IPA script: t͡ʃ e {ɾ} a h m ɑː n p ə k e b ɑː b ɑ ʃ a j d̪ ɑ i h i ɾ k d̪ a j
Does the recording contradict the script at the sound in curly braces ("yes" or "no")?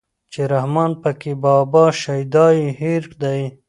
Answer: no